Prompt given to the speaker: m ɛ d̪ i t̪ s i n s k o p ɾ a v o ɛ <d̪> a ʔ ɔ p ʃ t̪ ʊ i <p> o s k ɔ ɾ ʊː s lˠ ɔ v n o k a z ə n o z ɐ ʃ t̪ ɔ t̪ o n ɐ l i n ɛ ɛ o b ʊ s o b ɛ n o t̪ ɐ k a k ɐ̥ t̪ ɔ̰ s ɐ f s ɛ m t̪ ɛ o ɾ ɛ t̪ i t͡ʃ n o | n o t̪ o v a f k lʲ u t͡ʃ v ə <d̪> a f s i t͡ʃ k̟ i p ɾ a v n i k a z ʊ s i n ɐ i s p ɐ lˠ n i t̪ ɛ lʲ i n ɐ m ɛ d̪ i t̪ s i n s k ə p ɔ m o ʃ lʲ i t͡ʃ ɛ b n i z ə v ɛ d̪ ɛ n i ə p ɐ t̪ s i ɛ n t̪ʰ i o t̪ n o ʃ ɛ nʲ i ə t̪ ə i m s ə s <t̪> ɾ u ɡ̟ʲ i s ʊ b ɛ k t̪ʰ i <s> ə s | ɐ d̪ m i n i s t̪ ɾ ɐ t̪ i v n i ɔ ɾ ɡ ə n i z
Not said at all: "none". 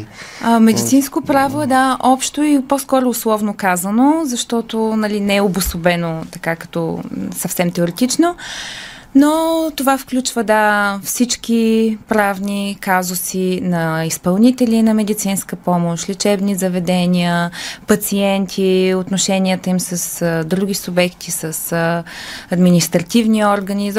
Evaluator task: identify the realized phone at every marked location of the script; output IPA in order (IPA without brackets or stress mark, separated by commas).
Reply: d̪, p, d̪, d̪, s